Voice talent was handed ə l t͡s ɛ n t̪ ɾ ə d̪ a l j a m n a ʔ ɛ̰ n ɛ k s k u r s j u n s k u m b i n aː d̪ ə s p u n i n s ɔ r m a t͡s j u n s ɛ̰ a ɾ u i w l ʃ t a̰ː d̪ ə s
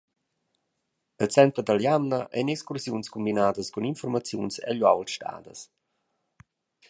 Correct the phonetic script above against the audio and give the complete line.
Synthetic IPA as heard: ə l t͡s ɛ n t̪ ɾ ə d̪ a l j a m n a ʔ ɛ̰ n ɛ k s k u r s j u n s k u m b i n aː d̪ ə s k u n i n f ɔ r m a t͡s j u n s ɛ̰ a ʎ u a w l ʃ t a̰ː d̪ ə s